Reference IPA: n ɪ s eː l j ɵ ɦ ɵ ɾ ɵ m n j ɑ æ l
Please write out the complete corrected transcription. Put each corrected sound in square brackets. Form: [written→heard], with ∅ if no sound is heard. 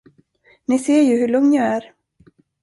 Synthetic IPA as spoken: n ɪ s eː [l→ɾ] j ɵ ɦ ɵ [ɾ→ɭ] ɵ [m→ŋ] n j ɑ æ [l→ɾ]